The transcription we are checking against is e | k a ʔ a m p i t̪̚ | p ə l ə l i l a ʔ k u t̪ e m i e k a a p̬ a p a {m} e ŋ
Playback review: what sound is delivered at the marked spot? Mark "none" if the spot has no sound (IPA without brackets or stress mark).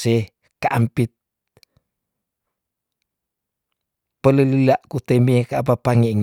ŋ